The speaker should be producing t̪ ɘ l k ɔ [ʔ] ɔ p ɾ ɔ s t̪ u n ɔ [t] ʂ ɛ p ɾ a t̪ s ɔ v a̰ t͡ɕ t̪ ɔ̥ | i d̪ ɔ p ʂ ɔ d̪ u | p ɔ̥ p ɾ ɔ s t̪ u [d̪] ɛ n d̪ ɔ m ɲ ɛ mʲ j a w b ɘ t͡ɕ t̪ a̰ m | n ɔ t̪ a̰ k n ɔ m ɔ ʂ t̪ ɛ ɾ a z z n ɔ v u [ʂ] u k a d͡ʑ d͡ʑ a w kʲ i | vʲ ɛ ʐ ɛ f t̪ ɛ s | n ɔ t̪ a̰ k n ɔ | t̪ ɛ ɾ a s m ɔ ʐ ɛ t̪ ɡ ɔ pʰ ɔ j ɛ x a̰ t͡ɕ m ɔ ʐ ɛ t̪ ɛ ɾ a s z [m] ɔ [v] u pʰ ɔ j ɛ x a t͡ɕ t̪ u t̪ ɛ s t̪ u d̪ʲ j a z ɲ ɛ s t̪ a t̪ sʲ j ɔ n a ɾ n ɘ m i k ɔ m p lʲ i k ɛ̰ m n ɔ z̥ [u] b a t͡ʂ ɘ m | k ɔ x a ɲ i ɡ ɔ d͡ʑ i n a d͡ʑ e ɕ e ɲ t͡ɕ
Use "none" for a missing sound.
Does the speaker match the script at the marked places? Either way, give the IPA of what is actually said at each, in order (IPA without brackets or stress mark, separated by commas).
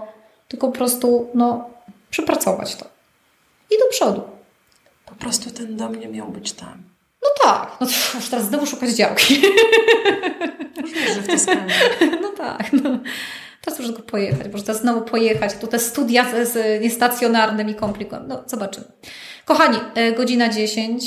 p, p, t̪, ʂ, n, v, ɔ